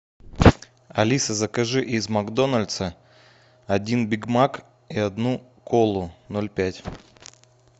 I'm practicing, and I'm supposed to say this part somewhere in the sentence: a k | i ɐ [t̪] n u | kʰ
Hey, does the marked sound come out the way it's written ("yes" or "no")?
no